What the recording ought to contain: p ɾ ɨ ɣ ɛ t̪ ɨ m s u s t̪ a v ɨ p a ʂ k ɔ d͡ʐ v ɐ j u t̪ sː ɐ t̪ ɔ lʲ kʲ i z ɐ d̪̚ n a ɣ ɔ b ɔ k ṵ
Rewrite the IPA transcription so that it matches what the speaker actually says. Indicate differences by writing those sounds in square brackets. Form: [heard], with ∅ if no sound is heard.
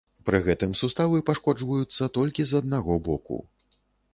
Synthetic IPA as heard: p ɾ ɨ ɣ ɛ t̪ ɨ m s u s t̪ a v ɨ p a ʂ k ɔ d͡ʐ v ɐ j u t̪ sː ɐ t̪ ɔ lʲ kʲ i z ɐ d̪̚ n a ɣ ɔ b ɔ k ṵ